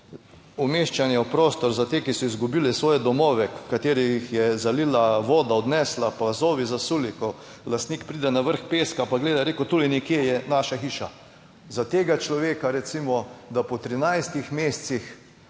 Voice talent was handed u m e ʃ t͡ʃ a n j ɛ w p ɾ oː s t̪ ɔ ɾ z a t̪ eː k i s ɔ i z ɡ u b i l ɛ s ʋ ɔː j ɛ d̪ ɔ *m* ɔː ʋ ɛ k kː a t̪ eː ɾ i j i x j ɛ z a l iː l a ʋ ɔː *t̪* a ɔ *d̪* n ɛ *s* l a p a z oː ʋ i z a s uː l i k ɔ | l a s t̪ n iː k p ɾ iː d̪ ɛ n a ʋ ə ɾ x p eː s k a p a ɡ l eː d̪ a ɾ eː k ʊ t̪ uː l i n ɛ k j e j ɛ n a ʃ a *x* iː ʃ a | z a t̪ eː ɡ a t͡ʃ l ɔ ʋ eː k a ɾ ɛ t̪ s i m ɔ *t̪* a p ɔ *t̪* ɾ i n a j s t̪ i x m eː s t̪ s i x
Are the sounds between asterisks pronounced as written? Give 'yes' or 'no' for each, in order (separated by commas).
yes, no, yes, yes, yes, no, yes